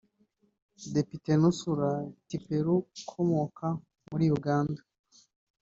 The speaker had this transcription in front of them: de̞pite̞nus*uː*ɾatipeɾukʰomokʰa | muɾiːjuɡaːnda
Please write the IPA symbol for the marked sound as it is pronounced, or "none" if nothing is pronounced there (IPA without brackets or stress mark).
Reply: u